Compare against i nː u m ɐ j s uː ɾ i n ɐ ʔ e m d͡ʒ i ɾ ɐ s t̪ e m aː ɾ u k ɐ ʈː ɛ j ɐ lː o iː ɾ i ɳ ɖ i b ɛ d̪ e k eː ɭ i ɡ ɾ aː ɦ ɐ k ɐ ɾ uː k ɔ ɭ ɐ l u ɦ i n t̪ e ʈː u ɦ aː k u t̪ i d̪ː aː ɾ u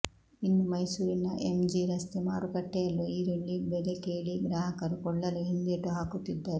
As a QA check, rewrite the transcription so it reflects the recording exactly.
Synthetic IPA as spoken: i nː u m ɐ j s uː ɾ i n ɐ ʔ e m d͡ʒ i ɾ ɐ s t̪ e m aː ɾ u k ɐ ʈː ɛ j ɐ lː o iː ɾ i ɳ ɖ i b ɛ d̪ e k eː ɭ i ɡ ɾ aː ɦ ɐ k ɐ ɾ u k ɔ ɭː ɐ l u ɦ i n d̪ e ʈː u ɦ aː k u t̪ i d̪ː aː ɾ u